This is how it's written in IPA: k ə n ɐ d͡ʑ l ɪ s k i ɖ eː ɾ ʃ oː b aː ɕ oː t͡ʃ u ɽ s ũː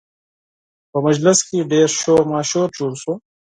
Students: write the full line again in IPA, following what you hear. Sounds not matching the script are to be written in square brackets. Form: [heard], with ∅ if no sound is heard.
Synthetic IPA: [p] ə [m] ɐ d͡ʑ l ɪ s k i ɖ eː ɾ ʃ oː [m] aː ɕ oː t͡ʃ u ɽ s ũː